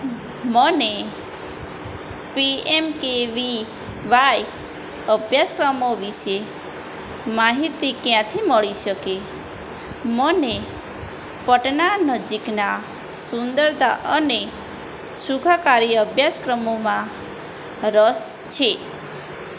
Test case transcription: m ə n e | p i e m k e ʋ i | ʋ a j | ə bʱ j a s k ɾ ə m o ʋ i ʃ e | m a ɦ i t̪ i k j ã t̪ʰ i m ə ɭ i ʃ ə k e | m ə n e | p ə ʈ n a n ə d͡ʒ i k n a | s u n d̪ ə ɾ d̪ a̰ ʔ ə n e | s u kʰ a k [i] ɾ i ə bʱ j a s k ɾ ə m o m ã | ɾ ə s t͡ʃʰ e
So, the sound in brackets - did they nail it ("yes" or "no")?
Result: no